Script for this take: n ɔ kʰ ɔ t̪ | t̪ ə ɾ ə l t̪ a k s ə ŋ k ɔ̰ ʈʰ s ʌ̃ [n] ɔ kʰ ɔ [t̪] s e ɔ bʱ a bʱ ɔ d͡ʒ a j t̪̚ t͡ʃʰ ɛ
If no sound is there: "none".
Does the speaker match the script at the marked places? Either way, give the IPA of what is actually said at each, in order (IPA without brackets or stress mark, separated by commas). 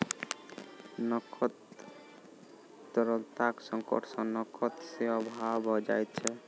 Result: n, t̪